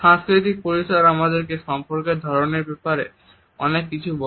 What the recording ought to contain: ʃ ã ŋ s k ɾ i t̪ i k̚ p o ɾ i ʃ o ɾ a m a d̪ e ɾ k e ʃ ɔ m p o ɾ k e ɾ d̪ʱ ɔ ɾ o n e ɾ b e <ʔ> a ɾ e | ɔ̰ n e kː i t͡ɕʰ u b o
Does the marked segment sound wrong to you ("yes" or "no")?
yes